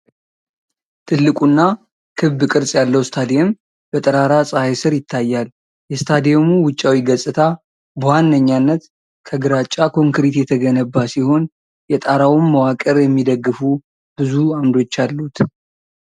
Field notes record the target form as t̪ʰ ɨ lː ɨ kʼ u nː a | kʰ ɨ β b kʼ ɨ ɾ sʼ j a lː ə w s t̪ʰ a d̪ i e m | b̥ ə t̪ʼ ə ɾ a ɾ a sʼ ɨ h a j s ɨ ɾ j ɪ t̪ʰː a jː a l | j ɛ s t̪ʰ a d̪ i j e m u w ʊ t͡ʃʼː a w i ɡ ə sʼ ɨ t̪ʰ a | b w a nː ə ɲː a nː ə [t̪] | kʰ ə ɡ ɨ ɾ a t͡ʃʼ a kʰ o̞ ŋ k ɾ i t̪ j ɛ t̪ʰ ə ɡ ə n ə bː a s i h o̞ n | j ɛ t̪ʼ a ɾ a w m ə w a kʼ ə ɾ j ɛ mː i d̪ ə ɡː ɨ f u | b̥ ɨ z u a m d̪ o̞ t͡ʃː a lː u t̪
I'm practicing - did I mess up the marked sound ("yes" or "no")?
no